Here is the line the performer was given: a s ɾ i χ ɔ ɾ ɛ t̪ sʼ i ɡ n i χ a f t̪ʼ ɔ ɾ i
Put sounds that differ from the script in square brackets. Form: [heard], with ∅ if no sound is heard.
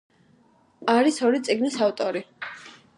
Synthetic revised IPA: a [∅] ɾ i [s] ɔ ɾ [i] t̪ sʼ i ɡ n i [s] a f t̪ʼ ɔ ɾ i